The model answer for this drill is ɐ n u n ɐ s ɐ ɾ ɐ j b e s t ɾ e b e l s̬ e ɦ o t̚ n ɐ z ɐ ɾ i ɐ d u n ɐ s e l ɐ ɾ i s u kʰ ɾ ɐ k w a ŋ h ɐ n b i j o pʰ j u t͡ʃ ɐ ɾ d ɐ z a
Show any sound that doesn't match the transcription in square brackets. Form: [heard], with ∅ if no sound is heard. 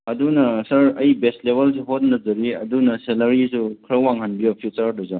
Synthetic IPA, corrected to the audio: ɐ [d] u n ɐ s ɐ ɾ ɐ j b e s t [l] e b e l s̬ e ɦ o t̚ n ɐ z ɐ ɾ i ɐ d u n ɐ s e l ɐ ɾ i s u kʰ ɾ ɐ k w a ŋ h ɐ n b i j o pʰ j u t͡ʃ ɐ ɾ d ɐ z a